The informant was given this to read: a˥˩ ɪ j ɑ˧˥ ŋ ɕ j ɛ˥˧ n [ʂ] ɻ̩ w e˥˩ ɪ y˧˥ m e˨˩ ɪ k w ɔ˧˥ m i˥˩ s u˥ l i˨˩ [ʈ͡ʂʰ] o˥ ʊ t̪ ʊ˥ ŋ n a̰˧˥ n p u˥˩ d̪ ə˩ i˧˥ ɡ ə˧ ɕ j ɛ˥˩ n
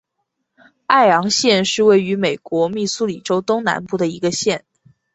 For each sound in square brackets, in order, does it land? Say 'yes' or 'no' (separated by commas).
yes, no